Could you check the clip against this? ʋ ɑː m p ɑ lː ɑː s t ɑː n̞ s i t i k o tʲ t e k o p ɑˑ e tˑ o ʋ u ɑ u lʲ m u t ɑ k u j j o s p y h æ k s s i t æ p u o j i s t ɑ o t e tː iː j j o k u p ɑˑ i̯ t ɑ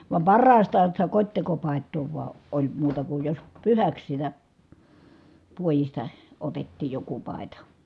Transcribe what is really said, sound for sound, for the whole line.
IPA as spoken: ʋ ɑ m p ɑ rː ɑː s t ɑː n̞ s i t æ k o tʲ t e k o p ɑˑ e tˑ oː ʋ u ɑ o lʲ m uː t ɑ k u j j o s p y h æ k s s i t æ p u o j i s t ɑ o t e tː iː j j o k u p ɑˑ i̯ t ɑ

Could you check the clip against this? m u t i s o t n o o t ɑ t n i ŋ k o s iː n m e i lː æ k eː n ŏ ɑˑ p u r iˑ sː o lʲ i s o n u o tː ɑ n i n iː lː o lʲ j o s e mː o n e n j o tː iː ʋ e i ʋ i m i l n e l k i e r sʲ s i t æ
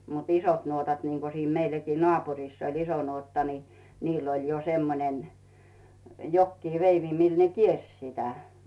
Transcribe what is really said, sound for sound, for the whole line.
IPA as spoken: m u t i s o t n u o t ɑ t n i ŋ k o s iː n m e i lː æ k iː n ŏ ɑˑ p u r iˑ sː o lʲ i s o n u o tː ɑ n i n iː lː o lʲ j o s e mː o n e n j o kː iː ʋ e i ʋ i m i l n e k i e r sʲ s i t æ

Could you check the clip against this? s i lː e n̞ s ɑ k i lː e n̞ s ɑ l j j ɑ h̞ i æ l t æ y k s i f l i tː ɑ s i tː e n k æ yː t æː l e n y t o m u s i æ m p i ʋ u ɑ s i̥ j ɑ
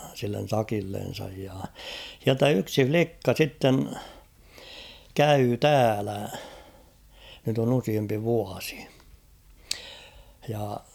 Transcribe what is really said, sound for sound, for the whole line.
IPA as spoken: s i lː e n̞ s ɑ k i lː e n̞ s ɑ j j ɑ h̞ i æ l t æ y k s i f l i kː ɑ s i tː e n k æ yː t æː l æ n y t o n u s i e m p i ʋ u ɑ s i̥ j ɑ

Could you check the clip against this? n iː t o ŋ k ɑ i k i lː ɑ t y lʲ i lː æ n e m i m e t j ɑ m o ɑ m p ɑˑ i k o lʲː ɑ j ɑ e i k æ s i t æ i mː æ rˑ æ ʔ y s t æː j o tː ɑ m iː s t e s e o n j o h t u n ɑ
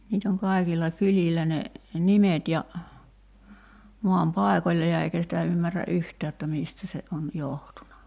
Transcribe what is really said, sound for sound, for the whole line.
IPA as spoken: n iː t o ŋ k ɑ i k i lː ɑ k y lʲ i lː æ n e n i m e t j ɑ m o ɑ m p ɑˑ e k o lʲː ɑ j ɑ e i k æ s i t æ y mː æ rˑ æ ʔ y h t æː j o tː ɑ m iː s t æ s e o n j o h t u n ɑ

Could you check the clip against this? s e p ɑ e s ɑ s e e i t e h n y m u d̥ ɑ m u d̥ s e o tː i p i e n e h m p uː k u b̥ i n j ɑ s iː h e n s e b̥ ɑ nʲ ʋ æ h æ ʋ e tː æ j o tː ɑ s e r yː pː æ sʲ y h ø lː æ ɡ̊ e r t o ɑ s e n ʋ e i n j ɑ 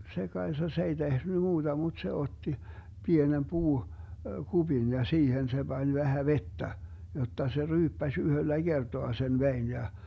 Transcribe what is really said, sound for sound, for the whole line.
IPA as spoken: s e k ɑ e s ɑ s e e i t e h n y m uː d̥ ɑ m u d̥ s e o tː i p i e n e m p uː k u b̥ i n j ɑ s iː h e n s e b̥ ɑ nʲ ʋ æ h æ ʋ e tː æ j o tː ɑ s e r yː pː æ sʲ y h ø lː æ ɡ̊ e r t o ɑ s e n ʋ e i n j ɑ

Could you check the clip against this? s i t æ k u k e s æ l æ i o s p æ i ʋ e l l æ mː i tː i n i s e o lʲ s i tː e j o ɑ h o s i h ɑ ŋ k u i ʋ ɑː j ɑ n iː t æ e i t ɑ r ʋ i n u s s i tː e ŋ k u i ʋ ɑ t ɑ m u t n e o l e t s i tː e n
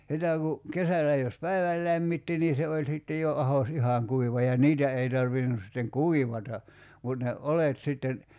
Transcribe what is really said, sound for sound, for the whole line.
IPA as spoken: s i t æ k u k e s æ l æ j o s p æ i ʋ æ l l æ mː i tː i n i s e o lʲ s i tː e j o ɑ h o s i h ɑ ŋ k u i ʋ ɑ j ɑ n iː t æ e i t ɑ r ʋ i n u s s i tː e ŋ k u i ʋ ɑ t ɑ m u t n e o l e t s i tː e n

